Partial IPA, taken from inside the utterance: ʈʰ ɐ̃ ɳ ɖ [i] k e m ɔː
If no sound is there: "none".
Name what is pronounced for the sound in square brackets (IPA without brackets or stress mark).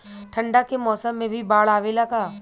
a